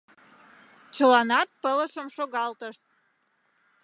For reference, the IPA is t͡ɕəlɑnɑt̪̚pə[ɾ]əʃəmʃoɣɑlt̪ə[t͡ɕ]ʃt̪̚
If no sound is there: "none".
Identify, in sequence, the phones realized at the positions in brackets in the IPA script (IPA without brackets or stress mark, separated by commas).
l, none